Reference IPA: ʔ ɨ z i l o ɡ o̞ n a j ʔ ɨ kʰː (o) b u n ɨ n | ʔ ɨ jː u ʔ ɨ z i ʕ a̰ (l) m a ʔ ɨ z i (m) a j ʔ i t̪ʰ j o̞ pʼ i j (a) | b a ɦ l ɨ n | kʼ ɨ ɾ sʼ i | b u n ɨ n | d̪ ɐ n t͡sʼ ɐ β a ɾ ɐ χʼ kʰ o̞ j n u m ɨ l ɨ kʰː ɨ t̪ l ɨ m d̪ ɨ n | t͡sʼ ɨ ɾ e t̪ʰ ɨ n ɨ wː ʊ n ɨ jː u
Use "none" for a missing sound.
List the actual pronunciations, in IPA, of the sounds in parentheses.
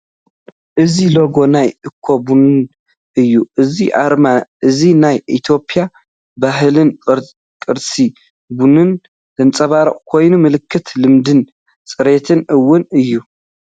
o, ɾ, n, a

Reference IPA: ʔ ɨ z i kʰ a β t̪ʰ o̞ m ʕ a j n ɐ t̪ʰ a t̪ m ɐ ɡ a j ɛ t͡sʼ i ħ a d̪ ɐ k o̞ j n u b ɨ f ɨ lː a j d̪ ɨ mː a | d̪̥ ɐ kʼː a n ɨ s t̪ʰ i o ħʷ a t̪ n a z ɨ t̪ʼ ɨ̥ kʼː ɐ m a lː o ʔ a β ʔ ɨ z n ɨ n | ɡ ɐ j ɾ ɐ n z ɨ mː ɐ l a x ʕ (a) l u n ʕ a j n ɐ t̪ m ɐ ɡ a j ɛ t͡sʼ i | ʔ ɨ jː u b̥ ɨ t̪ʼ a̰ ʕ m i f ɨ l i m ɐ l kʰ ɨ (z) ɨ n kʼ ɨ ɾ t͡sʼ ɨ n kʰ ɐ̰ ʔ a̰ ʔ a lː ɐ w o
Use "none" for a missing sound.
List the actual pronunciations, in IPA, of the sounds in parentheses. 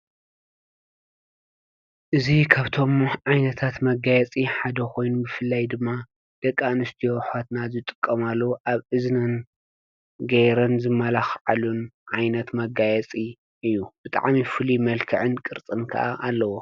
a, ʕ

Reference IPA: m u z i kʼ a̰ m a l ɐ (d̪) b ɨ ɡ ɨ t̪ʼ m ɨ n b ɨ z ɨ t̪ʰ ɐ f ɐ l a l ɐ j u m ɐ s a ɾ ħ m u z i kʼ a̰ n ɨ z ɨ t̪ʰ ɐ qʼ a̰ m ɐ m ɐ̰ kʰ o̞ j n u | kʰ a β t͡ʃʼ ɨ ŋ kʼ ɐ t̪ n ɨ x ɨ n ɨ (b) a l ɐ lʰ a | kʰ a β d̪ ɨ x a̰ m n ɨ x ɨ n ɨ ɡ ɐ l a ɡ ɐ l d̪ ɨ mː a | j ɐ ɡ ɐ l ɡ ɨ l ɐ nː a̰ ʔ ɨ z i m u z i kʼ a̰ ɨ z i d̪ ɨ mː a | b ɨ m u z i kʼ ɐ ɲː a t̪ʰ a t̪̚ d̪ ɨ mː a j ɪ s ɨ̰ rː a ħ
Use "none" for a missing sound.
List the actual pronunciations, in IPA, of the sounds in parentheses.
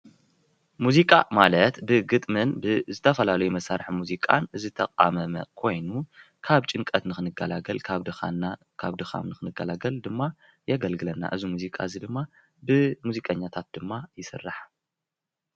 t̪, ɡ

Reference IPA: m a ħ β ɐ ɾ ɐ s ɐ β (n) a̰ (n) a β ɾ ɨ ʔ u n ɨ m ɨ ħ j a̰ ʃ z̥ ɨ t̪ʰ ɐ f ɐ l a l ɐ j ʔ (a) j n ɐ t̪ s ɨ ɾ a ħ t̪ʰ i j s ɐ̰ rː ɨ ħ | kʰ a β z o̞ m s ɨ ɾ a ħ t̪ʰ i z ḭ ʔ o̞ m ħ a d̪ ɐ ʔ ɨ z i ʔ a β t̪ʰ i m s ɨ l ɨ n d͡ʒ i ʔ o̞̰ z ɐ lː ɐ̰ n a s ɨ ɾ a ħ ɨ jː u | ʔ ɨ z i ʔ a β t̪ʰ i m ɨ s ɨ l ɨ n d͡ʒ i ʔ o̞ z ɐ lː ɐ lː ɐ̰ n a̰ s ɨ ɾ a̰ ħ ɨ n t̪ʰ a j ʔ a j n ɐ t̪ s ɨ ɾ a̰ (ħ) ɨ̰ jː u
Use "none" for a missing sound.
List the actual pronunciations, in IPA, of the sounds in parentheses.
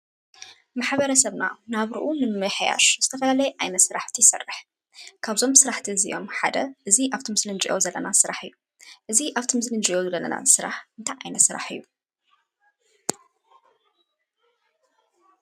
n, n, a, ħ

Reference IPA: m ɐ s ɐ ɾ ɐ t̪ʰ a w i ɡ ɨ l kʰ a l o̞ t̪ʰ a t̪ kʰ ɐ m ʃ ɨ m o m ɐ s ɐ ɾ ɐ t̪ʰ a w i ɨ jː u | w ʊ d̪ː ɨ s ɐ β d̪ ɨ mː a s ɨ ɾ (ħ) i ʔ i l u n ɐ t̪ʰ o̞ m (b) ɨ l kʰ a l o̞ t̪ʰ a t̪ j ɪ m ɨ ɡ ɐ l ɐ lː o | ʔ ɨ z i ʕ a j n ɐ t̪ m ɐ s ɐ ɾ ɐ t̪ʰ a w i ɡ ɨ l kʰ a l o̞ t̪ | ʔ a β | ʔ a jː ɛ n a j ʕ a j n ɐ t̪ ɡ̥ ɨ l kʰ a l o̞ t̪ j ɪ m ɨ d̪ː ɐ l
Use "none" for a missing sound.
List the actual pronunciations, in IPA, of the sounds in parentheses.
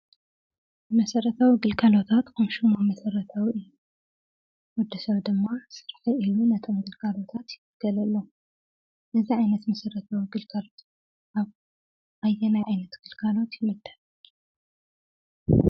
ħ, ɡ

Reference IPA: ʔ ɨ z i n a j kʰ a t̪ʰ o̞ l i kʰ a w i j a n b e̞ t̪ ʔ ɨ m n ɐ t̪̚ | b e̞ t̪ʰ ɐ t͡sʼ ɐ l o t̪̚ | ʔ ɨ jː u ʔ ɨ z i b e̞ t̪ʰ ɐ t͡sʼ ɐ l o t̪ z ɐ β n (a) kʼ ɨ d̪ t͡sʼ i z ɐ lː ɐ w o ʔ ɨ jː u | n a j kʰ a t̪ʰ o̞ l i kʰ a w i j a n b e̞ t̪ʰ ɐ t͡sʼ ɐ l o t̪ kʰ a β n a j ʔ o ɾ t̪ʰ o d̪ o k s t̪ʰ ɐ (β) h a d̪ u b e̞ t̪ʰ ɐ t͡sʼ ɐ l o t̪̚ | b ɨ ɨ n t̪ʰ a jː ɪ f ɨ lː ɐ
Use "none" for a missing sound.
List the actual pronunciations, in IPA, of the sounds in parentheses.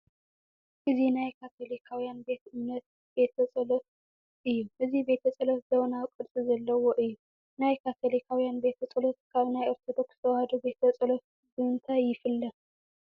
a, w

